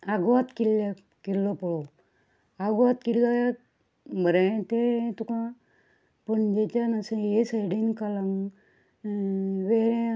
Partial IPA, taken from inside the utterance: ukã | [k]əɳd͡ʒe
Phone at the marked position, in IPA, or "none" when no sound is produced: p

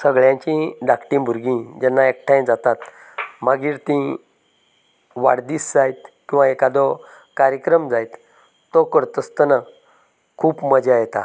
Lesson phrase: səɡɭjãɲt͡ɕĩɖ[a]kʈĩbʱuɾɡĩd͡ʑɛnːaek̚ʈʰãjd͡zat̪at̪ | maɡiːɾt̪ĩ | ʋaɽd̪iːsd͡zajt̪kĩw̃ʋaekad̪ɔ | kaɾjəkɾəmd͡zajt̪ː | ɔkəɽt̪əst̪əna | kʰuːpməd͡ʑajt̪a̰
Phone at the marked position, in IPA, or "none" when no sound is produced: a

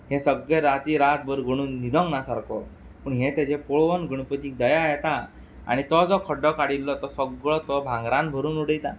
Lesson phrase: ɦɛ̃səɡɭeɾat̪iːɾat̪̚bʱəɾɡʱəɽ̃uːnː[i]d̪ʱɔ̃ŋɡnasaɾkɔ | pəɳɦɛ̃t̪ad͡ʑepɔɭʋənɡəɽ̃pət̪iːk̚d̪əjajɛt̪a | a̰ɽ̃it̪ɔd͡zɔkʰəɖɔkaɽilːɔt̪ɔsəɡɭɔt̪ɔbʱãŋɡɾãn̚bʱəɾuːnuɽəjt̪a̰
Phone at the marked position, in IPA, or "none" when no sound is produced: i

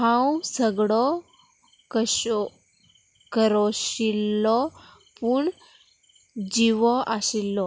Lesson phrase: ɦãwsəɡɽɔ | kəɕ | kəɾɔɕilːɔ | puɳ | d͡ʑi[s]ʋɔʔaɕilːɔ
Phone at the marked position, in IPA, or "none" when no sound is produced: none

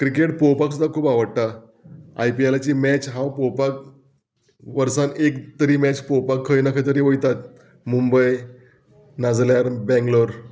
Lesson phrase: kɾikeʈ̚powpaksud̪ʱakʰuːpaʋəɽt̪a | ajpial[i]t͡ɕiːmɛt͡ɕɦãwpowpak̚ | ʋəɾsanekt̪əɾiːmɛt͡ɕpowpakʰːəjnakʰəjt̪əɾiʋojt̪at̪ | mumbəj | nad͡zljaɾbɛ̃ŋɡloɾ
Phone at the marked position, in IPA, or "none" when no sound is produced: a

